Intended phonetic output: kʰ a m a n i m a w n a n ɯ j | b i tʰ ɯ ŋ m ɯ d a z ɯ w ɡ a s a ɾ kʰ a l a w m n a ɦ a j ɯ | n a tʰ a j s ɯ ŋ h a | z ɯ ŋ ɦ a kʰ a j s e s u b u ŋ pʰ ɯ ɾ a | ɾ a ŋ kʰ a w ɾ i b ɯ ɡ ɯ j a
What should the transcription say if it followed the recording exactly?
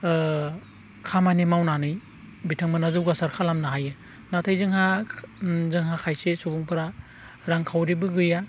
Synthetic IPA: kʰ a m a n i m a w n a n ɯ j | b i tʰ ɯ ŋ m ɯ n a z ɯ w ɡ a s a ɾ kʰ a l a m n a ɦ a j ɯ | n a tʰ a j z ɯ ŋ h a | z ɯ ŋ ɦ a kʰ a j s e s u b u ŋ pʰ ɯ ɾ a | ɾ a ŋ kʰ a w ɾ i b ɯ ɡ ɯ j a